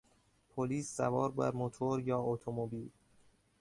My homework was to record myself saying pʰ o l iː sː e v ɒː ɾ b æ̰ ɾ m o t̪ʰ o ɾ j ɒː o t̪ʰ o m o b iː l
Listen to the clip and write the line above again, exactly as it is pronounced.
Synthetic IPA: pʰ o l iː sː æ v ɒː ɾ b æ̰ ɾ m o t̪ʰ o ɾ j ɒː o t̪ʰ o m o b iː l